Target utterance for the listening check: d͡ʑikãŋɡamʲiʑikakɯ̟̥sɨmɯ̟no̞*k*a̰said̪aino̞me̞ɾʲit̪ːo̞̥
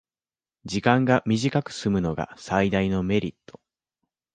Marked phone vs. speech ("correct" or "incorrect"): incorrect